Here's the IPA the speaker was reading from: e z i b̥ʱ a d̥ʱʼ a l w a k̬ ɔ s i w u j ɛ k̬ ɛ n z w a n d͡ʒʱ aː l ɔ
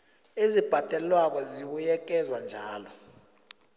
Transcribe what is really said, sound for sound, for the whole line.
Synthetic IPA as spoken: e z i b̥ʱ a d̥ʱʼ ɛ l w a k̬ ɔ z i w u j ɛ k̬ ɛ z w a n d͡ʒʱ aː l ɔ